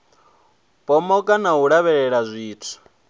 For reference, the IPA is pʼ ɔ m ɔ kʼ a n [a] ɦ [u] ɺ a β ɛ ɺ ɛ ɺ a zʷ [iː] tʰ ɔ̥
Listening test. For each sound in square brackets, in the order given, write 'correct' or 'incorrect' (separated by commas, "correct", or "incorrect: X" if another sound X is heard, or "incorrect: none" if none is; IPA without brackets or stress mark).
correct, correct, correct